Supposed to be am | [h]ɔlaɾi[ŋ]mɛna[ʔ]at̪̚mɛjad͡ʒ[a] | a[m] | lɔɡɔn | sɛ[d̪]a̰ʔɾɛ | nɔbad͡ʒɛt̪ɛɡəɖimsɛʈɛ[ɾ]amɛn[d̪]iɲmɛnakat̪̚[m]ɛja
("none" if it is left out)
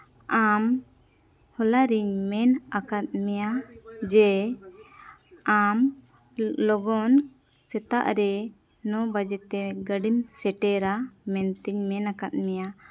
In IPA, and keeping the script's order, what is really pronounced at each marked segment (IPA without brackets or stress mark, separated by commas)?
h, ɲ, k, ɛ, m, t̪, ɾ, t̪, m